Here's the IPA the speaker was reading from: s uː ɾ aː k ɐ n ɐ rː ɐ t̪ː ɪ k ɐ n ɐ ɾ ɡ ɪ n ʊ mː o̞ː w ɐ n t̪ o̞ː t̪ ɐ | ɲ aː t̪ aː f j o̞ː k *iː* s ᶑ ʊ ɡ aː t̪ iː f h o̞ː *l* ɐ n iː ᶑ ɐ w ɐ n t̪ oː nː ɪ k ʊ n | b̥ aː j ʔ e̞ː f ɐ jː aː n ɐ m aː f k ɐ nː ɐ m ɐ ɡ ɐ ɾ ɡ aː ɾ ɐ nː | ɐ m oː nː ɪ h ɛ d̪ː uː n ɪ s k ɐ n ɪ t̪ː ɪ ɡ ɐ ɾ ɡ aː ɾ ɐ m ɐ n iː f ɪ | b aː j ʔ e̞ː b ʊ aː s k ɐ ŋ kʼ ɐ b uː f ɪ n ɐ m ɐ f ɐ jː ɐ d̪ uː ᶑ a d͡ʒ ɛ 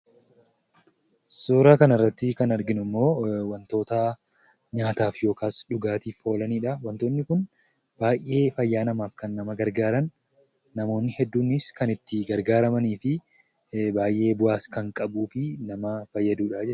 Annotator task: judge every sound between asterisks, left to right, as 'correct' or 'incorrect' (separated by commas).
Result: incorrect, correct